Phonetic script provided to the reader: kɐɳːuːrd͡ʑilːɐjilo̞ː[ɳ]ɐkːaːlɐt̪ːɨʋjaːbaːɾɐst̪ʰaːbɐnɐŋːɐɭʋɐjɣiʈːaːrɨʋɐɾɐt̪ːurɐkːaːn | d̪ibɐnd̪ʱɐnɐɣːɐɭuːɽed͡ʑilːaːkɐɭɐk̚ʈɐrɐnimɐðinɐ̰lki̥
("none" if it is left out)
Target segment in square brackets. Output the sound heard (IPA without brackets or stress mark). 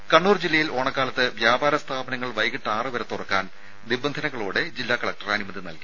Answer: ɳ